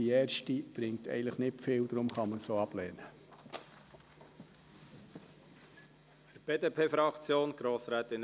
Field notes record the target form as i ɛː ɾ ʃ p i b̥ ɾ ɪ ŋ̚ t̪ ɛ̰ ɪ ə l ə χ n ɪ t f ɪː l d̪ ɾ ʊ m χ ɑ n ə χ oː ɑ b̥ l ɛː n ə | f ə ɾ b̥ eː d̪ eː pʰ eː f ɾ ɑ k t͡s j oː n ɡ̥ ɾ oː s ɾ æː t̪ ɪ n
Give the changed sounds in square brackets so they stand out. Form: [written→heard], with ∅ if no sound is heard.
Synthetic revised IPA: i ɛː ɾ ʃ [p→t] i b̥ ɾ ɪ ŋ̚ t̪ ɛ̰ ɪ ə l ə χ n ɪ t f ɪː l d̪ ɾ ʊ m χ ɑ [n→m] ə [χ→s] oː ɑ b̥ l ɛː n ə | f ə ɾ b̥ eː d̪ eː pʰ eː f ɾ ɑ k t͡s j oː n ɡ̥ ɾ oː s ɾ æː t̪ ɪ n

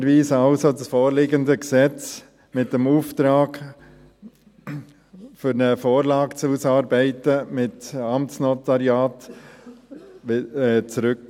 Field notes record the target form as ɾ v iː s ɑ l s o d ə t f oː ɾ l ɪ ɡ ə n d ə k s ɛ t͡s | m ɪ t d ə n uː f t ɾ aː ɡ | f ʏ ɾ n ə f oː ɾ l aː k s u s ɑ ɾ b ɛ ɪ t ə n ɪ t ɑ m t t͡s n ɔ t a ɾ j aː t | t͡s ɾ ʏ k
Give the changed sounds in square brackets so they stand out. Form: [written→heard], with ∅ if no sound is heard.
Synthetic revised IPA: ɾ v iː s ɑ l s o d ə [t→s] f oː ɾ l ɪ ɡ ə n d ə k s ɛ t͡s | m ɪ t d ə [n→m] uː f t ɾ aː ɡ | f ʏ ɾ n ə f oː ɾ l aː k [s→t͡s] u s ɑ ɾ b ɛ ɪ t ə [n→m] ɪ t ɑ m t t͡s n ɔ t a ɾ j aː t | t͡s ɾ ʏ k

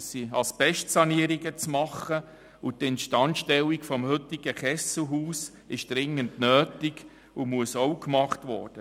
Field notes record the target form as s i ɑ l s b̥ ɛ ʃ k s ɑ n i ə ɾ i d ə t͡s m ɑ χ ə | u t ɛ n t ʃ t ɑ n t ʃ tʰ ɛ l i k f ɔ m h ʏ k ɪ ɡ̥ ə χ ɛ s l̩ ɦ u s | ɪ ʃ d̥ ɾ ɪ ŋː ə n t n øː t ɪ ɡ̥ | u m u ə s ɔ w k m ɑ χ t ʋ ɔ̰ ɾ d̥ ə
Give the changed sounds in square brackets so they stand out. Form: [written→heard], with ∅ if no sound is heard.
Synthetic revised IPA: s i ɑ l s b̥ ɛ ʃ [k→t] s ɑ n i ə ɾ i [d→ɡ] ə t͡s m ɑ χ ə | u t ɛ n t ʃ t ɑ n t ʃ [tʰ→t] ɛ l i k f ɔ m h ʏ [k→t] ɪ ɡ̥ ə χ ɛ s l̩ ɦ [u→uː] s | ɪ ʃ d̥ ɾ ɪ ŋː ə n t n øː t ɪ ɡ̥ | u m u ə s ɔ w k m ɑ χ t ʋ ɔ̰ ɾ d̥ ə

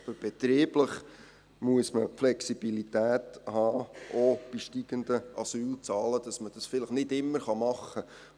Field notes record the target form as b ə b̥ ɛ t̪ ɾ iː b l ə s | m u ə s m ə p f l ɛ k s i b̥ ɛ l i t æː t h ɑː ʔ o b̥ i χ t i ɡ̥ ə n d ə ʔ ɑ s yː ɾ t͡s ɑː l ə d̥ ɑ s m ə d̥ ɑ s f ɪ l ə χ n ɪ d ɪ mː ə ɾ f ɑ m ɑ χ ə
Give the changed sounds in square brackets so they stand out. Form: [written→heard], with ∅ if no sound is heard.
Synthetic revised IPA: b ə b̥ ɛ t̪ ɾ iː b l ə [s→χ] | m u ə s m ə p f l ɛ k s i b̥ [ɛ→i] l i t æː t h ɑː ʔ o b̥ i [χ→ʃ] t i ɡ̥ ə n d ə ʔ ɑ s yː [ɾ→l] t͡s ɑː l ə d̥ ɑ s m ə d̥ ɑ s f ɪ l ə χ n ɪ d ɪ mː ə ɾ [f→χ] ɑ m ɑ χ ə

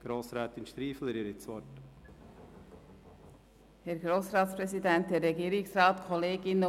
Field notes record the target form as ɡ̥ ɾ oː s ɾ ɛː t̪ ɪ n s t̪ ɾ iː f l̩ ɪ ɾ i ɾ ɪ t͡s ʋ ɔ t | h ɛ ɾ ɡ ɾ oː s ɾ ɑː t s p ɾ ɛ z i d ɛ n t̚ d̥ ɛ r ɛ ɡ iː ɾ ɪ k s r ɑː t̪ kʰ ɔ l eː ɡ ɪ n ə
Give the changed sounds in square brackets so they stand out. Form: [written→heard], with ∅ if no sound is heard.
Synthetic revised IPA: ɡ̥ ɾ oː s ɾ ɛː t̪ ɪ n [s→ʃ] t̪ ɾ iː f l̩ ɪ ɾ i ɾ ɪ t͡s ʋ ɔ t | h ɛ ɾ ɡ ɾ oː s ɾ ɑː t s p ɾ ɛ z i d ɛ n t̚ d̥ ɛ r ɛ ɡ iː ɾ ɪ k s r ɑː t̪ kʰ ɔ l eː ɡ ɪ n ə

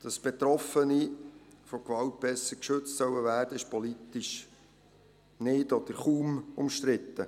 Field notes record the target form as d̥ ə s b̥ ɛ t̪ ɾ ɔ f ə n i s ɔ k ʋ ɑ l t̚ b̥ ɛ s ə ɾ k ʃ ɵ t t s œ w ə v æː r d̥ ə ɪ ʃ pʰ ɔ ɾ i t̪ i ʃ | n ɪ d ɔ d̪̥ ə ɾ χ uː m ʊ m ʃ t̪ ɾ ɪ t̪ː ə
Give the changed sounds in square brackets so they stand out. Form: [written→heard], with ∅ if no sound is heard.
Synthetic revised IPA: d̥ [ə→ɑ] s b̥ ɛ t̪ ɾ ɔ f ə n i [s→f] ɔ k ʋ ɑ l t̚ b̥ ɛ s ə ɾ k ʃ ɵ [t→t͡s] t s œ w ə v æː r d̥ ə ɪ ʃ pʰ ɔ [ɾ→l] i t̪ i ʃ | n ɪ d ɔ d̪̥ ə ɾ χ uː m ʊ m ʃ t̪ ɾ ɪ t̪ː ə

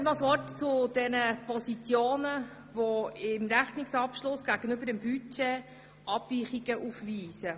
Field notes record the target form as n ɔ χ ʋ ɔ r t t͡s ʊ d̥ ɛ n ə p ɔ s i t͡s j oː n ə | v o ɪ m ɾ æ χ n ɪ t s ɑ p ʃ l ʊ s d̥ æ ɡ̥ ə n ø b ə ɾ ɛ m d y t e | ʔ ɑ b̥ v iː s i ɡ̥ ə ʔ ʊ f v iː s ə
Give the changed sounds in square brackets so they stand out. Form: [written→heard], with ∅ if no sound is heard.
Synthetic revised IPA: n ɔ [χ→s] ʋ ɔ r t t͡s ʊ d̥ ɛ n ə p ɔ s i t͡s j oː n ə | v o ɪ m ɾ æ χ n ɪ [t→k] s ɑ p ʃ l ʊ s [d̥→ɡ̥] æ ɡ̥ ə n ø b ə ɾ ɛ m [d→b] y [t→t͡ʃ] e | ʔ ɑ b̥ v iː [s→χ] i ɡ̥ ə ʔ [ʊ→u] f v iː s ə

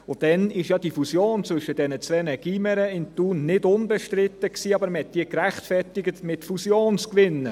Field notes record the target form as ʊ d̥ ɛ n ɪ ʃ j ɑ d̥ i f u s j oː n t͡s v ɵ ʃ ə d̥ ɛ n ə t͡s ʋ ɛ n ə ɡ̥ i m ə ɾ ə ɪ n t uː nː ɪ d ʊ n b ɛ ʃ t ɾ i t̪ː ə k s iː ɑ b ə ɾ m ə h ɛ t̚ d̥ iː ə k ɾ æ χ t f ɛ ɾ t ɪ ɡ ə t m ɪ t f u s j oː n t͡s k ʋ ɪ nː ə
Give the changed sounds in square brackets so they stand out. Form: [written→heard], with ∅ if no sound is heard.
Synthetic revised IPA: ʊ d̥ ɛ n ɪ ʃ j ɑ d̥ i f u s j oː n t͡s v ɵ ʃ ə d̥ ɛ n ə t͡s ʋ ɛ n ə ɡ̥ i m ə ɾ ə ɪ n t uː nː ɪ d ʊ n b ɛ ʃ t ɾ [i→ɪ] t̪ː ə k s iː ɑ b ə ɾ m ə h ɛ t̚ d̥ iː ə k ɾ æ χ t f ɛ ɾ t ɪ ɡ ə t m ɪ t f u s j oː n t͡s k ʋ ɪ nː ə

